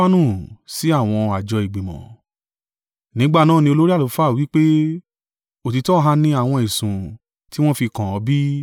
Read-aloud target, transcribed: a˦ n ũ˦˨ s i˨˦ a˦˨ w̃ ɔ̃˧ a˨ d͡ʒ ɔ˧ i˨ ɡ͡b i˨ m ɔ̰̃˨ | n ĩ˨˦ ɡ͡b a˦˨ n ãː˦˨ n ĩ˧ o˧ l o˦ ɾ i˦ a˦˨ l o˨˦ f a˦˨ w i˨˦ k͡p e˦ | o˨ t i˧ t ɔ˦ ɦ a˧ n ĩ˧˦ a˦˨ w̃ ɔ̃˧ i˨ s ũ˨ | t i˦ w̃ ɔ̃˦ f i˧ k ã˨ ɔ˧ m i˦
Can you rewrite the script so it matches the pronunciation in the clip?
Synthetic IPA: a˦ n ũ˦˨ s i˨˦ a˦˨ w̃ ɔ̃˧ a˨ d͡ʒ ɔ˧ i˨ ɡ͡b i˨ m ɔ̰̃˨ | n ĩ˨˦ ɡ͡b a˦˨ n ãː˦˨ n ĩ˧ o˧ l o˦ ɾ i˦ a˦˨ l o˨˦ f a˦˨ w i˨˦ k͡p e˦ | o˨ t i˧ t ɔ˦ ɦ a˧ n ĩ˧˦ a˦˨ w̃ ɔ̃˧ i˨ s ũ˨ | t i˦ w̃ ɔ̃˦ f i˧ k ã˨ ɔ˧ b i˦